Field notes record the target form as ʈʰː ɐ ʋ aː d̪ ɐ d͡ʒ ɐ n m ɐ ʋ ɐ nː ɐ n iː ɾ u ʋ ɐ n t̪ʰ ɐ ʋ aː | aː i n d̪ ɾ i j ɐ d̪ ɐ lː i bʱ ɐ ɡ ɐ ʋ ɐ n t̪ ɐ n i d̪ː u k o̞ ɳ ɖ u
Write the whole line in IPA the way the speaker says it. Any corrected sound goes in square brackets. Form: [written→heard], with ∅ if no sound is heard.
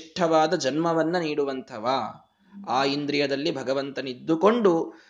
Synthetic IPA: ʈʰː ɐ ʋ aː d̪ ɐ d͡ʒ ɐ n m ɐ ʋ ɐ nː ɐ n iː [ɾ→ɽ] u ʋ ɐ n t̪ʰ ɐ ʋ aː | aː i n d̪ ɾ i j ɐ d̪ ɐ lː i bʱ ɐ ɡ ɐ ʋ ɐ n t̪ ɐ n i d̪ː u k o̞ ɳ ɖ u